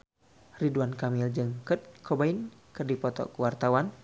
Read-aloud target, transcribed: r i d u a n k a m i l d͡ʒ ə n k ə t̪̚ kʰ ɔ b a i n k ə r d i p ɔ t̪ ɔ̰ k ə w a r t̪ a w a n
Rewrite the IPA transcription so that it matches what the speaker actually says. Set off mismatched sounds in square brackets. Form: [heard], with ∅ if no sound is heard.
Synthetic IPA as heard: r i d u a n k a m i l d͡ʒ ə [ŋ] k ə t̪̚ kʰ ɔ b a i n k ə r d i p ɔ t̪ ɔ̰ k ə w a r t̪ a w a n